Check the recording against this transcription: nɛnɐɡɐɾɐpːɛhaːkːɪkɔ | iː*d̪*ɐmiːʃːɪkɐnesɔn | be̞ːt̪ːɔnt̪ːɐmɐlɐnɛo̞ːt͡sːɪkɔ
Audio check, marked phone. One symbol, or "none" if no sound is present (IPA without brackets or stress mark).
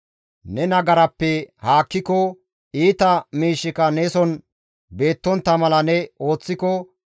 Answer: t̪